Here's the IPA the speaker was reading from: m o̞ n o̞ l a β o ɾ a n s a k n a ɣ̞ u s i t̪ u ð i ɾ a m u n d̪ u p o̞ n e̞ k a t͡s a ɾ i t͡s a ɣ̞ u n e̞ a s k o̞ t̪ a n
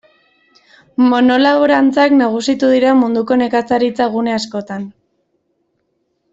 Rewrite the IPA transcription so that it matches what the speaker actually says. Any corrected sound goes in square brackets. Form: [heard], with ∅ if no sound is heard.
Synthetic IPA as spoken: m o̞ n o̞ l a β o ɾ a n [t͡s] a k n a ɣ̞ u s i t̪ u ð i ɾ a m u n d̪ u [k] o̞ n e̞ k a t͡s a ɾ i t͡s a ɣ̞ u n e̞ a s k o̞ t̪ a n